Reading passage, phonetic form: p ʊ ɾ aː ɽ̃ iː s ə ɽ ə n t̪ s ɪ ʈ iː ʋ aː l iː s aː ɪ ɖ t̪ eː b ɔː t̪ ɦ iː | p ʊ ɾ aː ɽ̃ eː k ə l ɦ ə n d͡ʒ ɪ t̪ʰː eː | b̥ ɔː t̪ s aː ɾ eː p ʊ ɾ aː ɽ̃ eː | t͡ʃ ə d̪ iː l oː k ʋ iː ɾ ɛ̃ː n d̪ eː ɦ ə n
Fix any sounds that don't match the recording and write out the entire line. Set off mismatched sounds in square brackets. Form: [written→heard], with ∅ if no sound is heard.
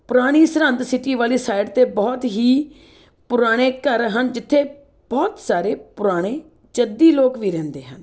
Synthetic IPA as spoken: p ʊ ɾ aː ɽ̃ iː s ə [ɽ→ɾ] ə n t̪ s ɪ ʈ iː ʋ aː l iː s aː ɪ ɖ t̪ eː b ɔː t̪ ɦ iː | p ʊ ɾ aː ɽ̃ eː k ə [l→ɾ] ɦ ə n d͡ʒ ɪ t̪ʰː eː | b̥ ɔː t̪ s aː ɾ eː p ʊ ɾ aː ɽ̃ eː | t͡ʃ ə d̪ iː l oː k ʋ iː ɾ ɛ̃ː n d̪ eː ɦ ə n